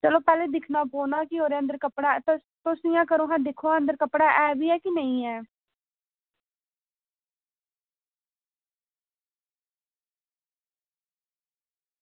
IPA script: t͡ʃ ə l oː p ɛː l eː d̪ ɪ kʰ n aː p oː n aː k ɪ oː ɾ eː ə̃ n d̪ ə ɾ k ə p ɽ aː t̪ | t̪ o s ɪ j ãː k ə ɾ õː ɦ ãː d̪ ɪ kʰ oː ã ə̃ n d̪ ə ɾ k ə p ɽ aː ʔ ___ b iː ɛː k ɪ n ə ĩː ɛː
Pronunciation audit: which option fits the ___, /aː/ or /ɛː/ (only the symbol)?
ɛː